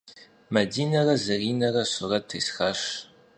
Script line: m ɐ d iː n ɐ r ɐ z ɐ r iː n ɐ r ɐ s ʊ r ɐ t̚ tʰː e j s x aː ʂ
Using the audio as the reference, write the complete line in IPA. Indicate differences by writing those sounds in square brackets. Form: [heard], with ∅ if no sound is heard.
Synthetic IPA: m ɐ d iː n ɐ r ɐ z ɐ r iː n ɐ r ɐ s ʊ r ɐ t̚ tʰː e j s x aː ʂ